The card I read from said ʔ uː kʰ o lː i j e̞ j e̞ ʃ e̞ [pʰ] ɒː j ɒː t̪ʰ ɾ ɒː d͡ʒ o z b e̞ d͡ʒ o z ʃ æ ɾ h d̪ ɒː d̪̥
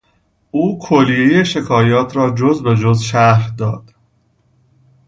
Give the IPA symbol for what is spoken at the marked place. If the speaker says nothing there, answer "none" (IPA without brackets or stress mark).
kʰ